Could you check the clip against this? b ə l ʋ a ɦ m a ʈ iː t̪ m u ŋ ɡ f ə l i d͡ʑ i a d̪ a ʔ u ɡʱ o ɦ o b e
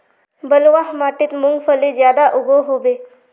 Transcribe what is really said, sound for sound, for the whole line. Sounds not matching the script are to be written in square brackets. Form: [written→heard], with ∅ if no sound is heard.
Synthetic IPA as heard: b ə l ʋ a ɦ m a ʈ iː t̪ m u ŋ ɡ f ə l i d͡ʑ [i→j] a d̪ a ʔ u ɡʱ o ɦ o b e